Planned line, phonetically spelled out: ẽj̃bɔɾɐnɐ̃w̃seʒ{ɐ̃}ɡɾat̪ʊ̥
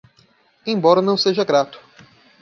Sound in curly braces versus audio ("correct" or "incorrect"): incorrect